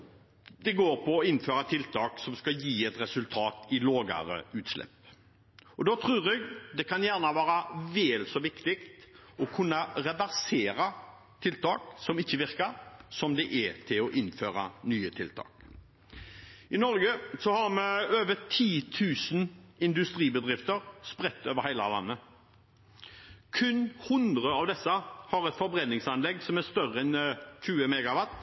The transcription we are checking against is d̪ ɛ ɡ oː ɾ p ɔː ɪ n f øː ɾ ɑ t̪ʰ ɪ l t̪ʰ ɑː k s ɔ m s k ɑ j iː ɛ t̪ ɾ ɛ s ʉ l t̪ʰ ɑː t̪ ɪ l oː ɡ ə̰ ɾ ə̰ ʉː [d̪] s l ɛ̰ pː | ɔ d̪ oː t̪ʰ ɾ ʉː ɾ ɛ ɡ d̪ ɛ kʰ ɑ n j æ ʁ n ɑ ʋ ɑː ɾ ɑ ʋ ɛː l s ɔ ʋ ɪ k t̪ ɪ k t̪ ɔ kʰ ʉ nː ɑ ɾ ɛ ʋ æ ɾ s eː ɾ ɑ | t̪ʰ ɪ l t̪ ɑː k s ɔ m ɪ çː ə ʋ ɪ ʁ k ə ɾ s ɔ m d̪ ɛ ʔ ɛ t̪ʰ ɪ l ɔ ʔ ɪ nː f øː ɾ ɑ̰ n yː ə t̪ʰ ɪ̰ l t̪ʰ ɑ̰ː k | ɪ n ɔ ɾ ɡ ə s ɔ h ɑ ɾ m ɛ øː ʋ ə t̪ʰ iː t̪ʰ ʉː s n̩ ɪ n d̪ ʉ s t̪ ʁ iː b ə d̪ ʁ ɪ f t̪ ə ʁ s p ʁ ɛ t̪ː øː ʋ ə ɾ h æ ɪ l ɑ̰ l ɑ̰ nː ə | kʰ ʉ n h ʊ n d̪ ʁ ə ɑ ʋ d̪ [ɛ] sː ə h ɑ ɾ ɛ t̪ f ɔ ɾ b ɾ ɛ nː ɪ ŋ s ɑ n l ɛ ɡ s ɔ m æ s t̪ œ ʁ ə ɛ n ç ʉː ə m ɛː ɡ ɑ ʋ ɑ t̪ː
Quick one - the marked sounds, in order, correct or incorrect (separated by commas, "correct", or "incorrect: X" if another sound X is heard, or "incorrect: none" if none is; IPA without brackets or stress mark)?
incorrect: t̪, correct